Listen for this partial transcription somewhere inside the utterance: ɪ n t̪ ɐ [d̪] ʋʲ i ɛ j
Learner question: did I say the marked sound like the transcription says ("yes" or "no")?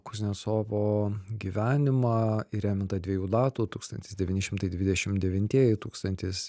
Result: yes